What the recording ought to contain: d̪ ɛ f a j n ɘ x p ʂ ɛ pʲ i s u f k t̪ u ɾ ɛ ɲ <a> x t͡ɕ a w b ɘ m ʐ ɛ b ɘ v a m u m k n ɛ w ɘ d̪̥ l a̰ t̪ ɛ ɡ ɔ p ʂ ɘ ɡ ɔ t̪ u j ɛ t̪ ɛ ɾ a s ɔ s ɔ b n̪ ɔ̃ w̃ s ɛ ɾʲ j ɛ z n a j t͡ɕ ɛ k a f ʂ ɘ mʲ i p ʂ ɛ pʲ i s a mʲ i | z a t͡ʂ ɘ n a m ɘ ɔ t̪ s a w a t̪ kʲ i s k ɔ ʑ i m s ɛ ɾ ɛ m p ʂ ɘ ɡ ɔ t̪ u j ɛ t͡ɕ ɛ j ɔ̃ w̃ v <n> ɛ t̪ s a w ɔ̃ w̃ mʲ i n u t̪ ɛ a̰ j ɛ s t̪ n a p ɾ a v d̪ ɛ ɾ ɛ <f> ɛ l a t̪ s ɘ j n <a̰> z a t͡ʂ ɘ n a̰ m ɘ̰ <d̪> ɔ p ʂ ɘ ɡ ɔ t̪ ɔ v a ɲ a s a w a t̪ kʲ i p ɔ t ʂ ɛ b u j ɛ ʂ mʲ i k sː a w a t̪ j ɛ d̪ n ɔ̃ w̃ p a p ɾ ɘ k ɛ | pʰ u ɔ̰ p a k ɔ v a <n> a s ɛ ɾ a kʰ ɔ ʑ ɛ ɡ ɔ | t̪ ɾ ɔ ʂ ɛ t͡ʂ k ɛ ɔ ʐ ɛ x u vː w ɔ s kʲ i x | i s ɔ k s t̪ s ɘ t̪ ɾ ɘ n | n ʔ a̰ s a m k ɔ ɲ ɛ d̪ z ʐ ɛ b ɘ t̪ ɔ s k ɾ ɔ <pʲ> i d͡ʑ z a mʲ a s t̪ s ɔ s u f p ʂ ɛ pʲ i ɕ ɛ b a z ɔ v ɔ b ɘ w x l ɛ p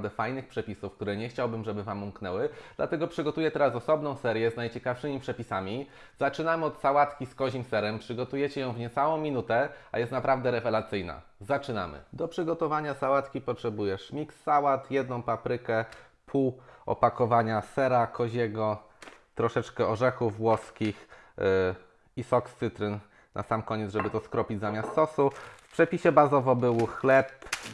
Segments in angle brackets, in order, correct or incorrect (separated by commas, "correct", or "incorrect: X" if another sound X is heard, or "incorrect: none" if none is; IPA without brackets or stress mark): incorrect: ɛ, incorrect: ɲ, incorrect: v, correct, correct, incorrect: ɲ, correct